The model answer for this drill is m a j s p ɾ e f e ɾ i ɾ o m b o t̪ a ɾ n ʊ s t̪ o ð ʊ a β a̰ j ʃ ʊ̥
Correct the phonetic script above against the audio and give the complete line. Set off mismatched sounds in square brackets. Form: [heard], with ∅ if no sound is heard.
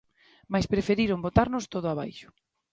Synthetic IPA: m a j s p ɾ e f e ɾ i ɾ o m b o t̪ a ɾ n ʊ s t̪ o ð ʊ a β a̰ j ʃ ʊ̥